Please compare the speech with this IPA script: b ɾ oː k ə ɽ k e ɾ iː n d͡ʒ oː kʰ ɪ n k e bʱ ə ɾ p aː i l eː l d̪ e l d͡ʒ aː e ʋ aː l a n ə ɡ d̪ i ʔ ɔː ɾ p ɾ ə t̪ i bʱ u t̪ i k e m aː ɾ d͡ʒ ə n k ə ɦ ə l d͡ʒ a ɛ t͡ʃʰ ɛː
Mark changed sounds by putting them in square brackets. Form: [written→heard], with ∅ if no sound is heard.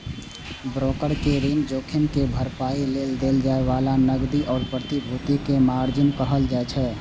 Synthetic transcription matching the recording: b ɾ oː k ə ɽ k e ɾ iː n d͡ʒ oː kʰ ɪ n k e bʱ ə ɾ p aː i l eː l d̪ e l d͡ʒ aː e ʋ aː l a n ə ɡ d̪ i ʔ ɔː ɾ p ɾ ə t̪ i bʱ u t̪ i k e m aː ɾ d͡ʒ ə n k ə ɦ ə l d͡ʒ a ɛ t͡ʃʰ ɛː